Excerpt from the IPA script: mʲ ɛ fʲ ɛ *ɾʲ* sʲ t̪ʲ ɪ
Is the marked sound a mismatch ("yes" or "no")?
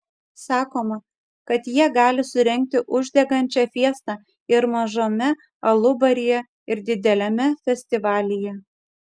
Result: yes